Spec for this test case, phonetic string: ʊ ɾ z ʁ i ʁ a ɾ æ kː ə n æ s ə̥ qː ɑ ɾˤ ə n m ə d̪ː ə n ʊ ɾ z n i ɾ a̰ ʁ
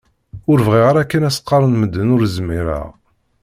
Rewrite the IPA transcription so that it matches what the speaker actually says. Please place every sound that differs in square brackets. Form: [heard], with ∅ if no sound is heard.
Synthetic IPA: ʊ ɾ [v] ʁ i ʁ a ɾ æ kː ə n æ s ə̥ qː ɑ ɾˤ ə n m ə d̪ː ə n ʊ ɾ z [m] i ɾ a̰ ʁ